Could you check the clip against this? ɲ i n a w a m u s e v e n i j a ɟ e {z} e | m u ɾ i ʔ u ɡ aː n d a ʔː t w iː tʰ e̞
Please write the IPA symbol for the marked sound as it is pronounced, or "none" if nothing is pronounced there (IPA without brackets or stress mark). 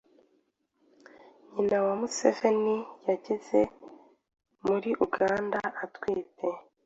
z